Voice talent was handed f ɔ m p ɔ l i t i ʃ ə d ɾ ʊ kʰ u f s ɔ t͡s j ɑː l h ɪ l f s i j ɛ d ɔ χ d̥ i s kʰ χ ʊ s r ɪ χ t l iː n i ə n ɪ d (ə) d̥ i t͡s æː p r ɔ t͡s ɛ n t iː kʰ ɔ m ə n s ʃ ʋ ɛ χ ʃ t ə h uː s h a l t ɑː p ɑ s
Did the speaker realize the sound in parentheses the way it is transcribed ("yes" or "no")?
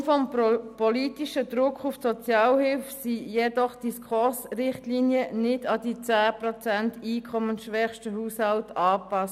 no